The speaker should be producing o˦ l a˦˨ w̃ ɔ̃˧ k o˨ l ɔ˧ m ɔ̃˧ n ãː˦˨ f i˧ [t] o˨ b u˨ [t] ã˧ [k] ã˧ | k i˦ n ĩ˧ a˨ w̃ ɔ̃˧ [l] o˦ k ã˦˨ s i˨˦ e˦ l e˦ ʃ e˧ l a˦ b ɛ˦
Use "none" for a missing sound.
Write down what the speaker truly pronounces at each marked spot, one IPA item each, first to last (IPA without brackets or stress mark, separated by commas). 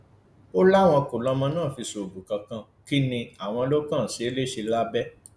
s, k, k, l